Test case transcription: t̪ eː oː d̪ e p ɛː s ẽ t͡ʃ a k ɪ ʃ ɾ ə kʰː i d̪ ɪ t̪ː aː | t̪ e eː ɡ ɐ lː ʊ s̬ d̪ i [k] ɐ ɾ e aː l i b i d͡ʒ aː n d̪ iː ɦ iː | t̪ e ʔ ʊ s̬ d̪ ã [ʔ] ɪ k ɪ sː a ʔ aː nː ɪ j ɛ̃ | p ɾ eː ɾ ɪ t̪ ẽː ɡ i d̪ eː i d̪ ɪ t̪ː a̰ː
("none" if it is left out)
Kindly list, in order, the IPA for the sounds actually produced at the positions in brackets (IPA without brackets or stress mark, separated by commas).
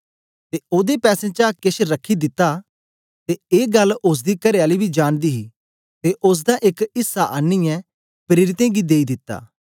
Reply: k, ʔ